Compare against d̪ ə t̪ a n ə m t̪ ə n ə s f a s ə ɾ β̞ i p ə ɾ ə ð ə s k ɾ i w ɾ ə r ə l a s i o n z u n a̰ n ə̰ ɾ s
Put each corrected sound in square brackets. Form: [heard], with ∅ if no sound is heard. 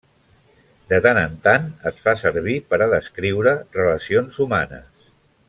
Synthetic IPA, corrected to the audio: d̪ ə t̪ a n ə [n] t̪ [a] n ə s f a s ə ɾ β̞ i p ə ɾ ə ð ə s k ɾ i w ɾ ə r ə l [ə] s i o n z u [m] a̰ n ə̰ [∅] s